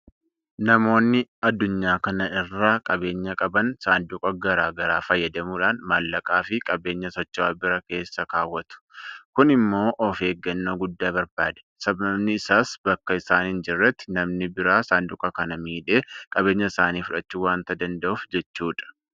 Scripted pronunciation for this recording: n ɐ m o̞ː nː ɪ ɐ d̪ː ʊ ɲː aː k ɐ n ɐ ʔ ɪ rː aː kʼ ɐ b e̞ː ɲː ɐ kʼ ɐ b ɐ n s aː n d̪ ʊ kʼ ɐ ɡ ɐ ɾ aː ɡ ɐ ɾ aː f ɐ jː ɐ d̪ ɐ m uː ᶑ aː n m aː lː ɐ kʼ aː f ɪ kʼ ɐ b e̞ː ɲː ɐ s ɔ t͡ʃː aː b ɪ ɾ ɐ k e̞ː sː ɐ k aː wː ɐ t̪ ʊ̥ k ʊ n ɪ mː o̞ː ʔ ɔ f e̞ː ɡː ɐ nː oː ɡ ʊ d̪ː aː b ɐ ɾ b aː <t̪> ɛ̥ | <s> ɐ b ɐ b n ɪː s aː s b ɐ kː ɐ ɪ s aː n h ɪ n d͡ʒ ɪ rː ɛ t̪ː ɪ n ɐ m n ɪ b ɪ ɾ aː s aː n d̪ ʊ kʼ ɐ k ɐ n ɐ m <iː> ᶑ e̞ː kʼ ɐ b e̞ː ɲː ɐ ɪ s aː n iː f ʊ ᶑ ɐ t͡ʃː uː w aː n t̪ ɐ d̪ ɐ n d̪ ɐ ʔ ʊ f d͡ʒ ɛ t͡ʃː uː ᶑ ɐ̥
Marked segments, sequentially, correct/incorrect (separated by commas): incorrect, correct, correct